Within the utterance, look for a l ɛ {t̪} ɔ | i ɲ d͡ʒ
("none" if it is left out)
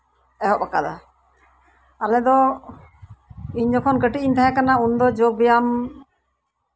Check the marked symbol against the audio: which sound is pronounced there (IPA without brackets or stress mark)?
d̪